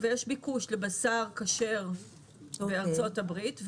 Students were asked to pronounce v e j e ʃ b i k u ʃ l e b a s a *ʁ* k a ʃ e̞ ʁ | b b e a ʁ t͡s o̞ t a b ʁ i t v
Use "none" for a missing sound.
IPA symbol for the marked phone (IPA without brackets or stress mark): ʁ